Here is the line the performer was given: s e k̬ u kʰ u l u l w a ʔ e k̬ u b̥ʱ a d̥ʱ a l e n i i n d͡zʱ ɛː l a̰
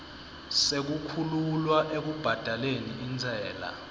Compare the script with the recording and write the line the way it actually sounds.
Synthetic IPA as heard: s e k̬ u kʰ u l u l w a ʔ e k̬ u b̥ʱ a d̥ʱ a l e n i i n d͡zʱ ɛː l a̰